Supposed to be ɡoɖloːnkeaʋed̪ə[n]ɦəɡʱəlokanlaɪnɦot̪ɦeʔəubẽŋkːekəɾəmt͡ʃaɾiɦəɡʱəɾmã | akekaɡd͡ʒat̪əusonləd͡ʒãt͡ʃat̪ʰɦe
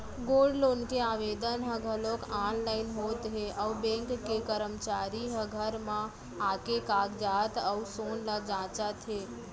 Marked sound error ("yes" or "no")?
no